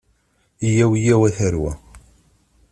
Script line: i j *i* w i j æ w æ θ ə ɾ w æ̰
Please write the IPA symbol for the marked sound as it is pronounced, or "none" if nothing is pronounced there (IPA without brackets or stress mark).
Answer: æ